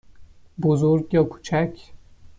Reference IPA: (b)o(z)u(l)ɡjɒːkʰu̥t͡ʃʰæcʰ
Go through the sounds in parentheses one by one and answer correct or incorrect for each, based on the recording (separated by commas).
correct, correct, incorrect